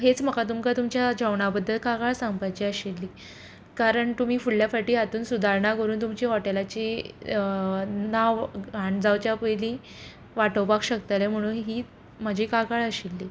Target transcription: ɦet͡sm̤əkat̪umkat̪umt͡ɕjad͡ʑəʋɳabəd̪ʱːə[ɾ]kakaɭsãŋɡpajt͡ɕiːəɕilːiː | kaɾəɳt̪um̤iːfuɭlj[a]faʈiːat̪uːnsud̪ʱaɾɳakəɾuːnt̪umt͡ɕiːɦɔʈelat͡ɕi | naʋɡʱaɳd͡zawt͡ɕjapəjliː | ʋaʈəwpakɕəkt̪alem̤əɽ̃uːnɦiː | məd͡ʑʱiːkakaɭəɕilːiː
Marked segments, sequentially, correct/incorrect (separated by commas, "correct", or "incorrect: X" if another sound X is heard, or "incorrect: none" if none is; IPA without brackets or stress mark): incorrect: l, correct